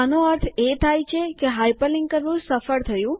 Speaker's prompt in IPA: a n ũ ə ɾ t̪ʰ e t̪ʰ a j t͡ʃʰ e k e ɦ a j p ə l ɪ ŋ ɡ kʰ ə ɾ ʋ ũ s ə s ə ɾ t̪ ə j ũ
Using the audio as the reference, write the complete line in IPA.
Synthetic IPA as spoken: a n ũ ə ɾ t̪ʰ e t̪ʰ a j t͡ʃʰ e k e ɦ a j p ə l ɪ ŋ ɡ k ə ɾ ʋ ũ s ə f ə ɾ t̪ʰ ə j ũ